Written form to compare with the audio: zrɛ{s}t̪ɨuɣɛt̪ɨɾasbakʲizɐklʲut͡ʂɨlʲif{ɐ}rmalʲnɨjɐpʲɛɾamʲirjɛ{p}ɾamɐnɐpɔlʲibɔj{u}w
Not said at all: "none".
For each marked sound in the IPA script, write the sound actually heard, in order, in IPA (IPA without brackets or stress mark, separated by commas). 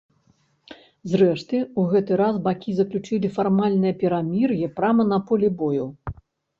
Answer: ʂ, a, p, u